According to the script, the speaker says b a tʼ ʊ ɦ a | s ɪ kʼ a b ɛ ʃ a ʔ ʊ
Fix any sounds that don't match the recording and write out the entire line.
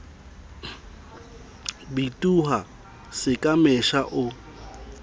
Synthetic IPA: b i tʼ u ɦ a | s ɪ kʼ a m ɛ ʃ a ʔ ʊ